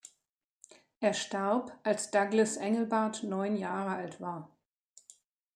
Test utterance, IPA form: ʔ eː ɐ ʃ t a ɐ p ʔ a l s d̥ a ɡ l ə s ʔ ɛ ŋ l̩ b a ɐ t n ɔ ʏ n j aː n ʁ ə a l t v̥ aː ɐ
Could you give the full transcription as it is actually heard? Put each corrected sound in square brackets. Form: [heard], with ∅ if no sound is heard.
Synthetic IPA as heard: ʔ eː ɐ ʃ t a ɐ p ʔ a l s d̥ a ɡ l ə s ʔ ɛ ŋ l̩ b a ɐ t n ɔ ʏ n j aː [∅] ʁ ə a l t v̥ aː ɐ